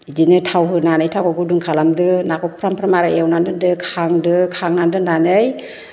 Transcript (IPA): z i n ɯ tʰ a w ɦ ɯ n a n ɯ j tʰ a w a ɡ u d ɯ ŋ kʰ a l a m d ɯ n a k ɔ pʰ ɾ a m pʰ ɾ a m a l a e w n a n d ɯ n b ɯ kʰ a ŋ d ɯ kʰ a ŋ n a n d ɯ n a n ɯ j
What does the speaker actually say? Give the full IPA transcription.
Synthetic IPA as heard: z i n ɯ tʰ a w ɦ ɯ n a n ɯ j tʰ a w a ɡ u d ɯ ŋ kʰ a l a m d ɯ n a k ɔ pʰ ɾ a m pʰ ɾ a m a ɾ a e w n a n d ɯ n d ɯ kʰ a ŋ d ɯ kʰ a ŋ n a n d ɯ n a n ɯ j